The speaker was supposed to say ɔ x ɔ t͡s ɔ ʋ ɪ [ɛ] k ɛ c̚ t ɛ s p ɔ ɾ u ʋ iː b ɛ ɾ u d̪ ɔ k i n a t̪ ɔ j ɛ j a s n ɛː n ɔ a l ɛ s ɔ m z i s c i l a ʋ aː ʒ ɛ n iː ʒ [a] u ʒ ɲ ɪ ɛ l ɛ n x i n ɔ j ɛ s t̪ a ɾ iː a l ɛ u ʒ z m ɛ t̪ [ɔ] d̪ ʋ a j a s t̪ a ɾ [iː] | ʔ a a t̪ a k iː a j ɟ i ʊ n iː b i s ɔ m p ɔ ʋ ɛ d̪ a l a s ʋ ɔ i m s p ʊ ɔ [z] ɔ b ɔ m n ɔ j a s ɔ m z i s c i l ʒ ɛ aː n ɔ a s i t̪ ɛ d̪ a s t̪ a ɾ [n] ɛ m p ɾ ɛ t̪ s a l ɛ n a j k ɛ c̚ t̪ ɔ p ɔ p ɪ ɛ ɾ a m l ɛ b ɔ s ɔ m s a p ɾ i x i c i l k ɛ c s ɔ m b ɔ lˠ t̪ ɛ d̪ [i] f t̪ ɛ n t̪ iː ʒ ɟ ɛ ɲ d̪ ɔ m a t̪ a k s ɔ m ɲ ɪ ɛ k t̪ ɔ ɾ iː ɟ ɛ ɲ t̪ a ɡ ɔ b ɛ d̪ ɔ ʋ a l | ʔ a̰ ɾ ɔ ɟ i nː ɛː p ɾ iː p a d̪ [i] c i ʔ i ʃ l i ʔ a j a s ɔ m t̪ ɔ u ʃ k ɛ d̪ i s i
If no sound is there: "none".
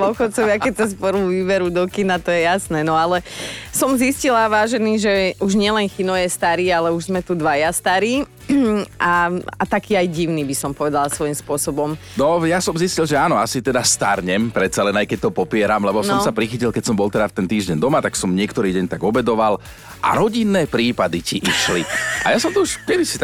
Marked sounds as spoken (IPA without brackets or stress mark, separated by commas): a, ɛ, u, iː, s, ɲ, a, i